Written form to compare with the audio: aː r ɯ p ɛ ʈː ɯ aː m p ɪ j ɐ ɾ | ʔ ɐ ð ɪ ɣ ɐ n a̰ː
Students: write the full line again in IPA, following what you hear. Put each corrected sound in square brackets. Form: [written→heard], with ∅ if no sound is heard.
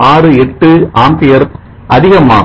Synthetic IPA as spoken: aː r ɯ [p→∅] ɛ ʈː ɯ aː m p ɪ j ɐ ɾ | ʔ ɐ ð ɪ ɣ ɐ [n→m] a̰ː